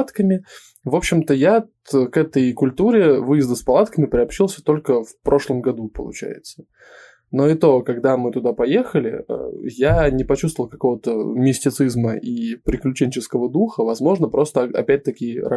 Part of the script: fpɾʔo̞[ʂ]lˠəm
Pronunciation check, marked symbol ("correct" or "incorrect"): correct